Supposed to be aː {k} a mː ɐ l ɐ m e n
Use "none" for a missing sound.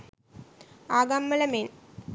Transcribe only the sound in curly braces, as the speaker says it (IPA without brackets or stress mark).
ɡ